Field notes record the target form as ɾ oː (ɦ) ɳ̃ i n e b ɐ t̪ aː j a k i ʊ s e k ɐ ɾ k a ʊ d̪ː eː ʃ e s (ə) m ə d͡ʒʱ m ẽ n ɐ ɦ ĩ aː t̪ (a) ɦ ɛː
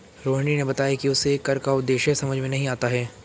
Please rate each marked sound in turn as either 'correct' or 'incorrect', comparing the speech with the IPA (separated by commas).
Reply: correct, incorrect, correct